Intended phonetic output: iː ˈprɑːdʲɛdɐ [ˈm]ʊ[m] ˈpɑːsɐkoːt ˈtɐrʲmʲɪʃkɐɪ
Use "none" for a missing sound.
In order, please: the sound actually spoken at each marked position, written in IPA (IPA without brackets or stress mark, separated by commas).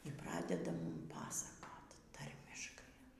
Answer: m, m